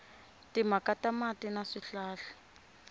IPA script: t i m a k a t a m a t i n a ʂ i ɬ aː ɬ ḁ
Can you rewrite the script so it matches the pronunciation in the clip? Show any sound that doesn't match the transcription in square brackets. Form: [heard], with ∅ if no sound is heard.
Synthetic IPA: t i m a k a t a m a t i n a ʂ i ɬ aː ɬ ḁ